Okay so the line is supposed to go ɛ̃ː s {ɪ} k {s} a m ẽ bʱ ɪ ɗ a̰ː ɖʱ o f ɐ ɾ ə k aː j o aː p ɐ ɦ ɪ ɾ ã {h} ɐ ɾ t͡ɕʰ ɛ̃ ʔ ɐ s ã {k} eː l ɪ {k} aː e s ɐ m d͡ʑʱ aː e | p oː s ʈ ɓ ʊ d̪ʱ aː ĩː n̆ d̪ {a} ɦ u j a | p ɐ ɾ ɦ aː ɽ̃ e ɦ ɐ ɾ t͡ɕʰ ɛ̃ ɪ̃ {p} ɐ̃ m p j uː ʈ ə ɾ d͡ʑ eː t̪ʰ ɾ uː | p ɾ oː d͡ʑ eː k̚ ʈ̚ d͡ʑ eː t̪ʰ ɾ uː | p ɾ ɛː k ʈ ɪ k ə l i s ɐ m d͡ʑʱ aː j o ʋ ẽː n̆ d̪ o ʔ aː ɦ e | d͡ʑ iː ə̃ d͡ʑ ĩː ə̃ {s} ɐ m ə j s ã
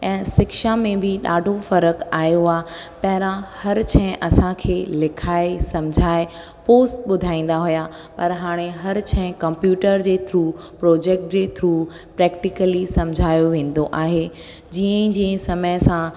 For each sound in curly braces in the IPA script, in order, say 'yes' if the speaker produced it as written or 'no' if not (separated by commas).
yes, no, yes, no, no, yes, no, yes